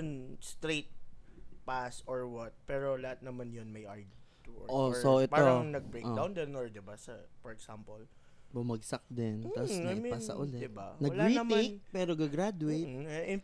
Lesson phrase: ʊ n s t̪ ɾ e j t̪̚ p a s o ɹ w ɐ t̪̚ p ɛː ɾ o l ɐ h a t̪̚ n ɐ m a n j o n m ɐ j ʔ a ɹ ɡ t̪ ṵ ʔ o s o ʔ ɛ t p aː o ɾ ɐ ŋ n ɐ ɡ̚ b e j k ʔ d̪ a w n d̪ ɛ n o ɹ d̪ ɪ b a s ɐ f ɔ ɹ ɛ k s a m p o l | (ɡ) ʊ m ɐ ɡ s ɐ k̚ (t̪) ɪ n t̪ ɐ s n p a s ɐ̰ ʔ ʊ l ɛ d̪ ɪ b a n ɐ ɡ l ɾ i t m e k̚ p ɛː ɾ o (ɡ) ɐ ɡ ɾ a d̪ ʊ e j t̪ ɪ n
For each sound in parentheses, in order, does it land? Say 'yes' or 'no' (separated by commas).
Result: no, no, yes